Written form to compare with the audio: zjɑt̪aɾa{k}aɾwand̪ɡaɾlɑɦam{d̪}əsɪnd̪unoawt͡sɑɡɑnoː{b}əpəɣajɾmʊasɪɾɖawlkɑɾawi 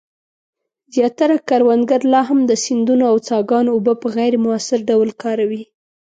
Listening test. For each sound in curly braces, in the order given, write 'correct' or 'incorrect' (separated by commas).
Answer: correct, correct, correct